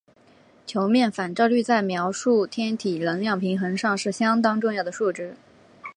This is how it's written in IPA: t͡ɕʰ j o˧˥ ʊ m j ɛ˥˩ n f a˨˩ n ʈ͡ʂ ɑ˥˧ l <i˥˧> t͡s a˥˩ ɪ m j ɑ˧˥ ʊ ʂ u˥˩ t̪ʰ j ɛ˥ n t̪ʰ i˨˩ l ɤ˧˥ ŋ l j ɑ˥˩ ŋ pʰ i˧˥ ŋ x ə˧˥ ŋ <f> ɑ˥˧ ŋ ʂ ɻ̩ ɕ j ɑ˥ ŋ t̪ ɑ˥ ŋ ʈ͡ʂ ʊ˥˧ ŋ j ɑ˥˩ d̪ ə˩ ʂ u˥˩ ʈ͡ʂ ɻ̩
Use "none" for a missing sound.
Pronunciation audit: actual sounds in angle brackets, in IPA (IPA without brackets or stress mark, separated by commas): y˥˧, ʂ